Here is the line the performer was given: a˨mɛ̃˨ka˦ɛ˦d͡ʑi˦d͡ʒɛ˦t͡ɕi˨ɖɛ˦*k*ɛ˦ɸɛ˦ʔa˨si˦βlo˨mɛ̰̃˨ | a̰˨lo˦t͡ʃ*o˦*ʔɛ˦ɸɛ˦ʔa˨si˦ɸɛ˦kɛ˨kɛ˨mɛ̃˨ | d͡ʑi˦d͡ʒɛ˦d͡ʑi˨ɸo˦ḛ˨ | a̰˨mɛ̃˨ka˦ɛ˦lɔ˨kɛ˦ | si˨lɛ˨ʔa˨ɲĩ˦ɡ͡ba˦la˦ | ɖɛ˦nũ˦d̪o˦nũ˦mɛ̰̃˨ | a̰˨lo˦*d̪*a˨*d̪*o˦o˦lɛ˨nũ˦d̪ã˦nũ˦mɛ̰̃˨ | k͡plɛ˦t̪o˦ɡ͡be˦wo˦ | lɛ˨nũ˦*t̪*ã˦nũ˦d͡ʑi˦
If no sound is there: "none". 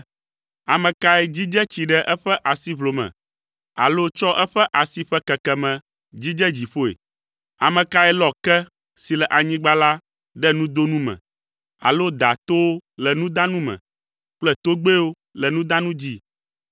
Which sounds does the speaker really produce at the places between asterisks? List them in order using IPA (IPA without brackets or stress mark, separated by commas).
ʔ, ɔ˦, d̪, t̪, d̪